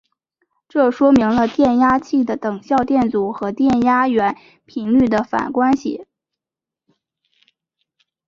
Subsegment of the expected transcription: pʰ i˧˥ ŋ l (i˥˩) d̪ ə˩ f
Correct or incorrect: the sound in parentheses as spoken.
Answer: incorrect: y˥˩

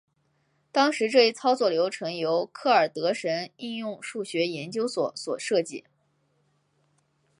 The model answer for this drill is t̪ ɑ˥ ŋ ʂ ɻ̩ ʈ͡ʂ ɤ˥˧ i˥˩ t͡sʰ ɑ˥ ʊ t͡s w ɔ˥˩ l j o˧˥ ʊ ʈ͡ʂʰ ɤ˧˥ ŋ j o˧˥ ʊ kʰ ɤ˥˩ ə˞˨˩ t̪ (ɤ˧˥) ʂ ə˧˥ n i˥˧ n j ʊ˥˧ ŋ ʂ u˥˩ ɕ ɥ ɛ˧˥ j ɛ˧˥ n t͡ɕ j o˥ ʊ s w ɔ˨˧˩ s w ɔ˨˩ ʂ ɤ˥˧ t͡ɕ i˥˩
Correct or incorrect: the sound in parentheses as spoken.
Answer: correct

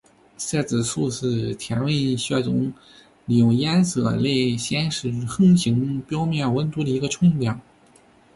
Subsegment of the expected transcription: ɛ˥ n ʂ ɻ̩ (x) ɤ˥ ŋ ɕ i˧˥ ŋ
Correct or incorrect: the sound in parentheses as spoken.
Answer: correct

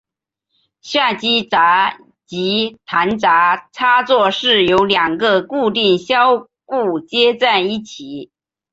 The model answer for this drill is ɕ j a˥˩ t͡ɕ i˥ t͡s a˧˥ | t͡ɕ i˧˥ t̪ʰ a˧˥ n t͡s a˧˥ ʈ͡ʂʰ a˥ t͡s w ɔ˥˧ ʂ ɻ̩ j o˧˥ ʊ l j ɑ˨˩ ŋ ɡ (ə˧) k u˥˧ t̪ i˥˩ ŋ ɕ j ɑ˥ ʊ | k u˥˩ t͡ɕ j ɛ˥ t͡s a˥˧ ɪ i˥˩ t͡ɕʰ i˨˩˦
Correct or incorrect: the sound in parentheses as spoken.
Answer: correct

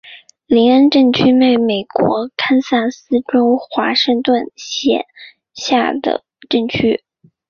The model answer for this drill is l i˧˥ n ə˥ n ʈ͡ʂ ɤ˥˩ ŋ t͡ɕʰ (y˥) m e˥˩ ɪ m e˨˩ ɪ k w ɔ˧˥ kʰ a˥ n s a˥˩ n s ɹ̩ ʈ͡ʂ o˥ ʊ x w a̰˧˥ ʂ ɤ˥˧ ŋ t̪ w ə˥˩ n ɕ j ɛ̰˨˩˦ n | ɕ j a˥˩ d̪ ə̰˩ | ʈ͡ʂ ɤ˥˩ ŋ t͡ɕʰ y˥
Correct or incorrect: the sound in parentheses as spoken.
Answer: correct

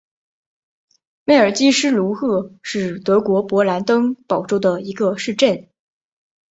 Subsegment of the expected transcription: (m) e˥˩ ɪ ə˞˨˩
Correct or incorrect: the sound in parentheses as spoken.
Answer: correct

